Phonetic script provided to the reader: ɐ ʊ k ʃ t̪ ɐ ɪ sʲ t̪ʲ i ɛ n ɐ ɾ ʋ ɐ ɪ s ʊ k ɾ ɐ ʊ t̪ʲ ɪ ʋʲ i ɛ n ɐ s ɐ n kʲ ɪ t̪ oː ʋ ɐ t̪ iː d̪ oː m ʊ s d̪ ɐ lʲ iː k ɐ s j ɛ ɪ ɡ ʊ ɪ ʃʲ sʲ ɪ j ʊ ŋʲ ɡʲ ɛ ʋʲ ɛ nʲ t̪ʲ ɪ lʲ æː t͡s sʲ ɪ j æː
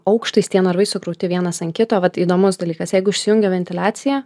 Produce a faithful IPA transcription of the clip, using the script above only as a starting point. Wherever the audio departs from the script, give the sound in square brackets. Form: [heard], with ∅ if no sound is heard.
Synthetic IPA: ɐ ʊ k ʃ t̪ ɐ ɪ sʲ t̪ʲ i ɛ n ɐ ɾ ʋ ɐ ɪ s ʊ k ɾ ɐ ʊ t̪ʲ ɪ ʋʲ i ɛ n ɐ s ɐ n kʲ ɪ t̪ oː ʋ ɐ t̪ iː d̪ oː m ʊ s d̪ ɐ lʲ iː k ɐ s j ɛ ɪ ɡ ʊ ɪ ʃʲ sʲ ɪ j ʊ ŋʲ ɡʲ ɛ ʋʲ ɛ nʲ t̪ʲ ɪ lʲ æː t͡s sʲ ɪ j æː